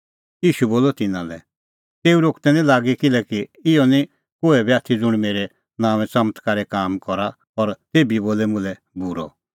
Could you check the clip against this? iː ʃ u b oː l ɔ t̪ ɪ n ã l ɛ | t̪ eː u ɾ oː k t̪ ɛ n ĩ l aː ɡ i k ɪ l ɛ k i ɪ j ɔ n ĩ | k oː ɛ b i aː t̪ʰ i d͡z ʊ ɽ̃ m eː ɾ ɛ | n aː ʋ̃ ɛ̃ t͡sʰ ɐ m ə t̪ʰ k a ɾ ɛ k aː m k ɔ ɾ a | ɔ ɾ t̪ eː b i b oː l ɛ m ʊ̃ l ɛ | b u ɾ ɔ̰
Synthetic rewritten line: iː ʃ u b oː l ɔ t̪ ɪ n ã l ɛ | t̪ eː u ɾ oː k t̪ ɛ n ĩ l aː ɡ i k ɪ l ɛ k i ɪ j ɔ n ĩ | k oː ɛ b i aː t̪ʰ i d͡z ʊ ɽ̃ m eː ɾ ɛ | n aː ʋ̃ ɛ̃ t͡s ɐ m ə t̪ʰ k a ɾ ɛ k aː m k ɔ ɾ a | ɔ ɾ t̪ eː b i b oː l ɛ m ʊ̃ l ɛ | b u ɾ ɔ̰